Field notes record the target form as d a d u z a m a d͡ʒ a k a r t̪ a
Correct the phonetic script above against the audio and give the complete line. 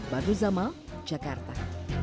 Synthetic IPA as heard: b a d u z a m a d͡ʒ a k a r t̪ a